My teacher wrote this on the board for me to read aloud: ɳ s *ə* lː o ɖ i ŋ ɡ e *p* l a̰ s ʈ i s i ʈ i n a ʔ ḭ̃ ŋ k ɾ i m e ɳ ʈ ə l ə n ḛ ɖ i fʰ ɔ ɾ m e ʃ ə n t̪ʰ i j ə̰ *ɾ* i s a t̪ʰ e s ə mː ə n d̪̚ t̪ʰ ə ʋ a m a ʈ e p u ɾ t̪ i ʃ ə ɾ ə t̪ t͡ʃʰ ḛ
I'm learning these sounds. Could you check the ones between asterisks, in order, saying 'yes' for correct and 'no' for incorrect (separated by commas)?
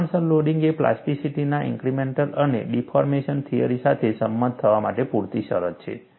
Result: yes, yes, yes